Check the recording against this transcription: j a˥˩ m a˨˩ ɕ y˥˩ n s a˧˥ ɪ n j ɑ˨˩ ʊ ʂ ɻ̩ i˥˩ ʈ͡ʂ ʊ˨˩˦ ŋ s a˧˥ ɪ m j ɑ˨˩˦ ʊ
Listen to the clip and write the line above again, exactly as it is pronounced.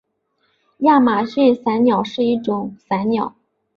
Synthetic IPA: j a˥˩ m a˨˩ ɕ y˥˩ n s a˧˥ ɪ n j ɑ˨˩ ʊ ʂ ɻ̩ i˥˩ ʈ͡ʂ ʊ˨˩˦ ŋ s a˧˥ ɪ n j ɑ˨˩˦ ʊ